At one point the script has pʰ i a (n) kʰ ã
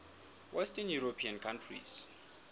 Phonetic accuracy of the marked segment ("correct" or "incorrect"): correct